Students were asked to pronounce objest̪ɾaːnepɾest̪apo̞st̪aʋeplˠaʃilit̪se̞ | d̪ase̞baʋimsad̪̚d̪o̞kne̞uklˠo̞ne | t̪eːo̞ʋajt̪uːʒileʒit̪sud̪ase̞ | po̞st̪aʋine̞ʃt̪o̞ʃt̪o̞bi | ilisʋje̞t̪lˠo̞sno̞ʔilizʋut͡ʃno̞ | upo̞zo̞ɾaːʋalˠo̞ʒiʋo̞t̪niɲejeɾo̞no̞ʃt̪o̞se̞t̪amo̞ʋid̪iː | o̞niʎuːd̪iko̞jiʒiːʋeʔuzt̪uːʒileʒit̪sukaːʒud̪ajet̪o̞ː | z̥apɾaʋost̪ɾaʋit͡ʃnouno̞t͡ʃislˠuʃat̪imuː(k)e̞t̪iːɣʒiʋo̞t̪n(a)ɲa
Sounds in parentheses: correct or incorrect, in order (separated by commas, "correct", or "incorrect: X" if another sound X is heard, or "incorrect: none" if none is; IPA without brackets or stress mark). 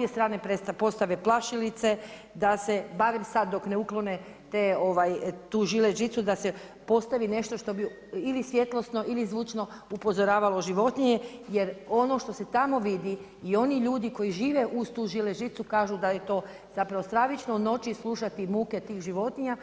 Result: correct, incorrect: i